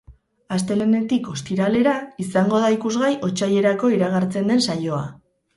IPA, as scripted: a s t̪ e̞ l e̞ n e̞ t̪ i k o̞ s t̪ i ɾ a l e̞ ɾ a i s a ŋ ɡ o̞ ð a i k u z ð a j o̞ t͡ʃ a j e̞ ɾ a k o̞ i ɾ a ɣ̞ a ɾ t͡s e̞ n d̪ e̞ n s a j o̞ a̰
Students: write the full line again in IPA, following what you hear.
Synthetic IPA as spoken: a s t̪ e̞ l e̞ n e̞ t̪ i k o̞ s t̪ i ɾ a l e̞ ɾ a i s a ŋ ɡ o̞ ð a i k u z ɣ a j o̞ t͡ʃ a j e̞ ɾ a k o̞ i ɾ a ɣ̞ a ɾ t͡s e̞ n d̪ e̞ n s a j o̞ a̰